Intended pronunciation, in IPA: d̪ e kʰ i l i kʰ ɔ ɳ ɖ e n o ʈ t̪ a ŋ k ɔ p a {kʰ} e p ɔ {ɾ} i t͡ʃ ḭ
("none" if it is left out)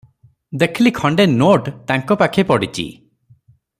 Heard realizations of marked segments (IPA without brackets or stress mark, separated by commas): kʰ, ɽ